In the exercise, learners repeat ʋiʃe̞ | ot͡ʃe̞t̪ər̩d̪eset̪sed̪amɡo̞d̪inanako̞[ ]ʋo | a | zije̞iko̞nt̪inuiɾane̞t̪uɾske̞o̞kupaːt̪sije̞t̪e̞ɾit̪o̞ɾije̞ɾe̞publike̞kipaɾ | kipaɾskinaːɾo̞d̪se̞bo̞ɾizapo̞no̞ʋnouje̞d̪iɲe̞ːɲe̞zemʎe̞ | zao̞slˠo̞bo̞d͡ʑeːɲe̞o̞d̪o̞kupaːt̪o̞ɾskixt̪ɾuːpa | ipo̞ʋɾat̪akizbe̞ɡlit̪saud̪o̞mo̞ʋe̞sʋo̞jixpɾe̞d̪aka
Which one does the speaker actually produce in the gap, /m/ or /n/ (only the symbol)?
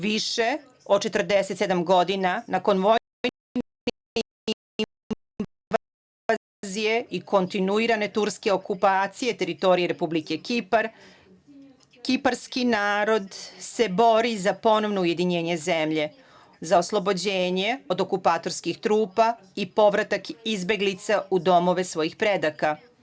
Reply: n